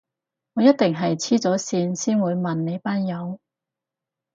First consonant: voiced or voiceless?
voiced